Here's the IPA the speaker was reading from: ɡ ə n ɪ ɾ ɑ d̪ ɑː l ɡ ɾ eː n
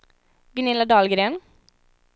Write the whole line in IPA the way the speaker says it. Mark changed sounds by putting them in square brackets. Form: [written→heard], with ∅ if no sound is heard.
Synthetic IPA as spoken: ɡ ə n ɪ [ɾ→l] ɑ d̪ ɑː l ɡ ɾ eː n